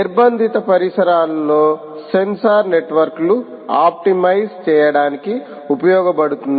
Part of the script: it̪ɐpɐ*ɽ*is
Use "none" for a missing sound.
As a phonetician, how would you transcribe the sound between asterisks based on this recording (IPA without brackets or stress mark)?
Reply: ɾ